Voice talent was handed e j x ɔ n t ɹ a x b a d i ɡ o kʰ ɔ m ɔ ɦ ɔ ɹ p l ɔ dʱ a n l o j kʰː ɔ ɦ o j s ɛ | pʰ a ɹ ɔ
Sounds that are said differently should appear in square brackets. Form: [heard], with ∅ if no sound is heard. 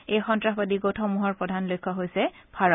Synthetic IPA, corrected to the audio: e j x ɔ n t ɹ a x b a d i ɡ o [tʰ] ɔ m [u] ɦ ɔ ɹ p [ɹ] ɔ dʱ a n l o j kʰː ɔ ɦ o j s ɛ | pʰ a ɹ ɔ